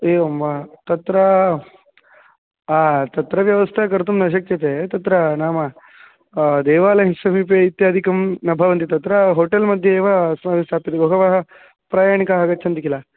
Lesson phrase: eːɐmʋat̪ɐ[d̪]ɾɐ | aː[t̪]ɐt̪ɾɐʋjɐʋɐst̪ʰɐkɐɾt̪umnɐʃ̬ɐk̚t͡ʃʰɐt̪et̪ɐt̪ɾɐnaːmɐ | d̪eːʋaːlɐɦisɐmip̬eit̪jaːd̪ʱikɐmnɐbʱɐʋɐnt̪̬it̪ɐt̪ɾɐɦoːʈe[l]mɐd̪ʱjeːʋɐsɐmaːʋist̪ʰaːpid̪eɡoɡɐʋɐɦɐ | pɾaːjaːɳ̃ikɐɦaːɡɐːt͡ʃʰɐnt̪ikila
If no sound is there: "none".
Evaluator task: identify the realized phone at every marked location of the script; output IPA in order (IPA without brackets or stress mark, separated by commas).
t̪, t̪, l